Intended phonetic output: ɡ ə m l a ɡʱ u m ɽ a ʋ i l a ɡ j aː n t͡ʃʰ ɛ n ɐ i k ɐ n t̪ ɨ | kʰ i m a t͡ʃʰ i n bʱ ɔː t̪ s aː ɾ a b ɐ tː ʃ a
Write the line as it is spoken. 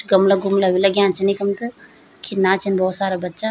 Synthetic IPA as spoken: ɡ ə m l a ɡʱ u m l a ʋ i l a ɡ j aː n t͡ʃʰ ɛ n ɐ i k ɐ m t̪ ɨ | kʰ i n a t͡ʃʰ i n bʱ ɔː t̪ s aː ɾ a b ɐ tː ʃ a